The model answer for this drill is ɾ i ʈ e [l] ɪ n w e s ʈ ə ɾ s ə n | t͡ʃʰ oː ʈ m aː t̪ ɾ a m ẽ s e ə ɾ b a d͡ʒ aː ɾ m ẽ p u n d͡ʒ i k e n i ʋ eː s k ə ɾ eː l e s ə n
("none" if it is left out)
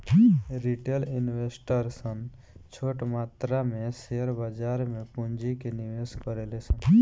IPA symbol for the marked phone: l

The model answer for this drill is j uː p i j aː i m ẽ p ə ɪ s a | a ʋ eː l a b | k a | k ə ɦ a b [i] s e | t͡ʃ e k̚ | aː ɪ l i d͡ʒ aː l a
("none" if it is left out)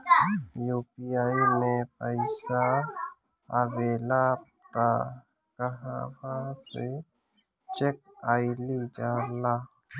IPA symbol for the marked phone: a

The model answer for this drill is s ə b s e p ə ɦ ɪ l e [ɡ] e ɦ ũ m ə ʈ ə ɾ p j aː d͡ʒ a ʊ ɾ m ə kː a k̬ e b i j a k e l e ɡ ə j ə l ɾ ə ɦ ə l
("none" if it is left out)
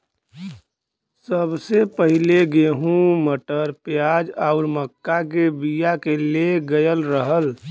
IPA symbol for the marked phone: ɡ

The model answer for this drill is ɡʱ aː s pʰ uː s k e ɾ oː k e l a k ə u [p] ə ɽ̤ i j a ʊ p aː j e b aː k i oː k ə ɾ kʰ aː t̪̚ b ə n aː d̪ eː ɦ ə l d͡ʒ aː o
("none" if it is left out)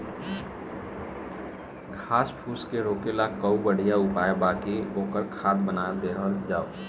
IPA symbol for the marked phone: b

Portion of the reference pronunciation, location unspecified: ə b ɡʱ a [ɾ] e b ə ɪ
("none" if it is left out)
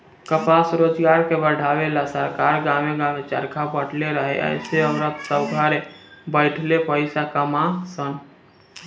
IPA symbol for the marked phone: ɾ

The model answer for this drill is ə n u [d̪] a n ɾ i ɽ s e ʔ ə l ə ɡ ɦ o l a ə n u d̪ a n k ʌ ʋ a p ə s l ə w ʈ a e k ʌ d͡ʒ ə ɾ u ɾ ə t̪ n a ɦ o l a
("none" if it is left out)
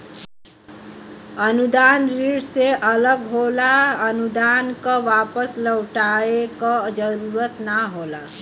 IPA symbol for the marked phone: d̪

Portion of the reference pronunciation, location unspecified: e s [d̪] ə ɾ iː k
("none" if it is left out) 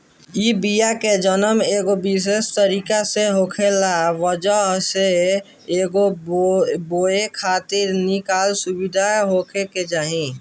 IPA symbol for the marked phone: t̪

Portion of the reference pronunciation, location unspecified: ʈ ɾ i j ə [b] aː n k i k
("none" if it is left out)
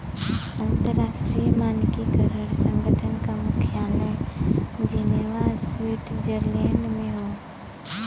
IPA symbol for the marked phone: m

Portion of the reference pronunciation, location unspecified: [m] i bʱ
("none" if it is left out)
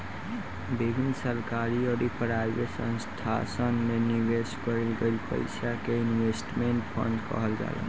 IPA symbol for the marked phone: b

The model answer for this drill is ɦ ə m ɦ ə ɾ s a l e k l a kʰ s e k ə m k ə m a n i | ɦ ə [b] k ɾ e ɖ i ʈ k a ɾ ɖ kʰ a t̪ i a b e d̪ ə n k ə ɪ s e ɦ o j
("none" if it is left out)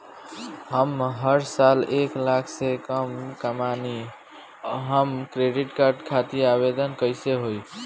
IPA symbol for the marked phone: m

